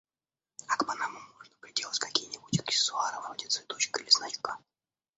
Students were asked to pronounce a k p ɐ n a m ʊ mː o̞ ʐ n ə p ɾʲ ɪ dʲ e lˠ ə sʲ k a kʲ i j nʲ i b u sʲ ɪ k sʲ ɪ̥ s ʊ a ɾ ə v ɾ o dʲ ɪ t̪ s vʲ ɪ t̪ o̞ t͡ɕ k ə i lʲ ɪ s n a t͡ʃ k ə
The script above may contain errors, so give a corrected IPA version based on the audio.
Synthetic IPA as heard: a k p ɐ n a m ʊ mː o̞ ʐ n ə p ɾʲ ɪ dʲ e lˠ ə tʲ k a kʲ i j nʲ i b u tʲ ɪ k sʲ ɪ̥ s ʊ a ɾ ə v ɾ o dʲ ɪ t̪ s vʲ ɪ t̪ o̞ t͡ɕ k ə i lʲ ɪ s n a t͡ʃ k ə